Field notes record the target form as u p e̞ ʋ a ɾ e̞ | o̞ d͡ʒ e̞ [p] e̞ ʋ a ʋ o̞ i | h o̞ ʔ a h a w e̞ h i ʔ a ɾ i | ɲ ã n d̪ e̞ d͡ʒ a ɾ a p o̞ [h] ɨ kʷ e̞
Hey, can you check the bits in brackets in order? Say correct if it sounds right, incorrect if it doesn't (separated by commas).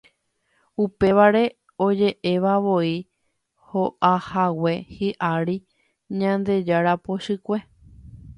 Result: incorrect, incorrect